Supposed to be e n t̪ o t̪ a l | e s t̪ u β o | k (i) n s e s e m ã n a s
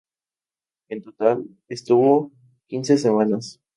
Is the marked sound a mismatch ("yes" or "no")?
no